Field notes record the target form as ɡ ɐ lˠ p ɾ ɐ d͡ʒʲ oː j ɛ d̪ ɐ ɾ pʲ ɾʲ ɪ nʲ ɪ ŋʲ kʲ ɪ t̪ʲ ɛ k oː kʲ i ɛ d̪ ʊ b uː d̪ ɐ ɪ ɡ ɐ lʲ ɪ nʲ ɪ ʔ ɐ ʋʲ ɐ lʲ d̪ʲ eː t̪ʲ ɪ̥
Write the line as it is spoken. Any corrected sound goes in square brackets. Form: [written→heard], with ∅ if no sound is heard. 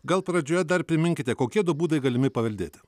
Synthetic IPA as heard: ɡ ɐ lˠ p ɾ ɐ d͡ʒʲ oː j ɛ d̪ ɐ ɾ pʲ ɾʲ ɪ [nʲ→mʲ] ɪ ŋʲ kʲ ɪ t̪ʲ ɛ k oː kʲ i ɛ d̪ ʊ b uː d̪ ɐ ɪ ɡ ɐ lʲ ɪ [nʲ→mʲ] ɪ [ʔ→p] ɐ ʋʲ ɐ lʲ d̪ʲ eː t̪ʲ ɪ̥